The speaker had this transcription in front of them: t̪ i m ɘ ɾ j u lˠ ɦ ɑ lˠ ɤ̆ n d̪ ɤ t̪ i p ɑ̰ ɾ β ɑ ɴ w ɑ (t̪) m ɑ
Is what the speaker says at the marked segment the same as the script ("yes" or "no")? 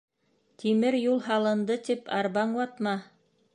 yes